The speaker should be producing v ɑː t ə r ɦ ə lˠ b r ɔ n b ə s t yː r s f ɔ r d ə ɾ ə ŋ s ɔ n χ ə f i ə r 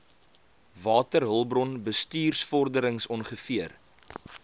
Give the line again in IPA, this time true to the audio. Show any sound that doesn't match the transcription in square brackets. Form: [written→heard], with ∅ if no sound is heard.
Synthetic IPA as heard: v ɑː t ə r ɦ ə lˠ b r ɔ n b ə s t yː r s f ɔ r d ə ɾ ə ŋ s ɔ n χ ə f i ə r